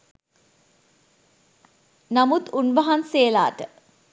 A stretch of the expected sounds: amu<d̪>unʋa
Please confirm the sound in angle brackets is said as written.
no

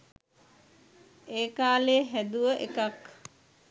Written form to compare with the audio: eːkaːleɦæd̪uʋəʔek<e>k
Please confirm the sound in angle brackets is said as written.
no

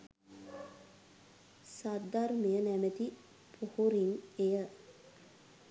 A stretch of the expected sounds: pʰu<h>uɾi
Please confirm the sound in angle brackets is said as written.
yes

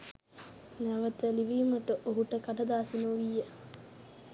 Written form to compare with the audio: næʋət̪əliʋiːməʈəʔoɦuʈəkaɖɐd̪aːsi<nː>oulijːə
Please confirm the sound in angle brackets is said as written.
no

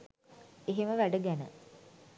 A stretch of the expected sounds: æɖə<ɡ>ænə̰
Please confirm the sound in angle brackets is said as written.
yes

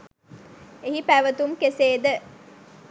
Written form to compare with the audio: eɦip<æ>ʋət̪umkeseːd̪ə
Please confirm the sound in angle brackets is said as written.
yes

